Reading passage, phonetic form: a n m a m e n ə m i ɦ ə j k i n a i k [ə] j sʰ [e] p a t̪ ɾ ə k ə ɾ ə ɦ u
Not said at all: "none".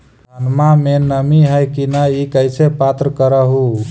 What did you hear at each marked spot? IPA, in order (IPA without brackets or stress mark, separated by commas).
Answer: ə, e